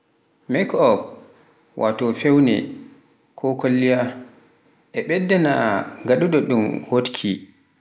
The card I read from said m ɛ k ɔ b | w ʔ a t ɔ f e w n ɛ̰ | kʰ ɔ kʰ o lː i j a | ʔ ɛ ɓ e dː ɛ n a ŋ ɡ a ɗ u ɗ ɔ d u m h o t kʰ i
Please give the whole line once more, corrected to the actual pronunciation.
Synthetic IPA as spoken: m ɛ k ɔ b | w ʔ a t ɔ f e w n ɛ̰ | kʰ ɔ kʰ o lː i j a | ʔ ɛ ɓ ɛ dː ɛ n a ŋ ɡ a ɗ u ɗ ɔ ɗ u m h o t kʰ i